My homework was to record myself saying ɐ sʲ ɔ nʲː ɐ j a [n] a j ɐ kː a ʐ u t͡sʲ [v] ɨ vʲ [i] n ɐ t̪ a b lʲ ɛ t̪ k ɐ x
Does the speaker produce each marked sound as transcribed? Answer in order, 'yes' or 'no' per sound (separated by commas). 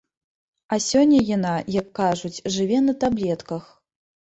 yes, no, no